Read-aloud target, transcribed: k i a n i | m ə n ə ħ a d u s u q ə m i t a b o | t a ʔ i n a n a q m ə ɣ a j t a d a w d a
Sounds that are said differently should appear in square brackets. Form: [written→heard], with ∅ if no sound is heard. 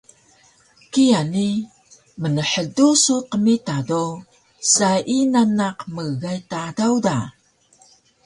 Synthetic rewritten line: k i a n i | m ə n ə ħ [a→ə] d u s u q ə m i t a [b→d] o | [t→s] a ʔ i n a n a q m ə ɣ a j t a d a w d a